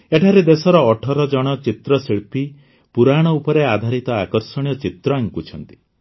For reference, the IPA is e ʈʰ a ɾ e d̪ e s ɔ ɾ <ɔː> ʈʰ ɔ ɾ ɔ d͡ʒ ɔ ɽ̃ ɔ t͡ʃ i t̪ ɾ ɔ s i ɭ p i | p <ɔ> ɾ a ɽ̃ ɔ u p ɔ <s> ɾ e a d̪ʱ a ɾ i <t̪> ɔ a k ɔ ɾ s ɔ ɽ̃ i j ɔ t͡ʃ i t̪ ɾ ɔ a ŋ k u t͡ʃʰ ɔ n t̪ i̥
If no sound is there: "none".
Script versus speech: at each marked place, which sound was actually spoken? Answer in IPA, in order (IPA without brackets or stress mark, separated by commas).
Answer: ɔː, u, none, t̪